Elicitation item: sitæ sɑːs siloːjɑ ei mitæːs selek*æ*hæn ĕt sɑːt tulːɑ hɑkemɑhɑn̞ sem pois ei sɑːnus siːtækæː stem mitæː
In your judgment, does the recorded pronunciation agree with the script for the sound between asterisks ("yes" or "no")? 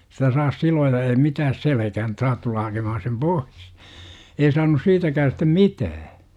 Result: yes